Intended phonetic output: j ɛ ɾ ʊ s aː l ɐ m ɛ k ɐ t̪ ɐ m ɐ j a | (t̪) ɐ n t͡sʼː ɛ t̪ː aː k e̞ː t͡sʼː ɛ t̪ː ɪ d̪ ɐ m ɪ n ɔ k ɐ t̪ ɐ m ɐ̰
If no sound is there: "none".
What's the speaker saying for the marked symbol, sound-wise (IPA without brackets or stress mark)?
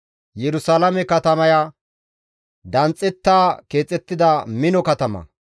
d̪